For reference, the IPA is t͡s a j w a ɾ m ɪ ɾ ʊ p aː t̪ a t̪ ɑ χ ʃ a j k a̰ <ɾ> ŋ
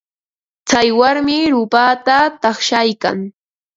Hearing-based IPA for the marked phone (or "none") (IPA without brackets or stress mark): none